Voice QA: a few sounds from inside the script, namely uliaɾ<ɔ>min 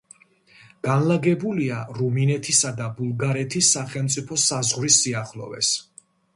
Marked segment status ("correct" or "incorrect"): incorrect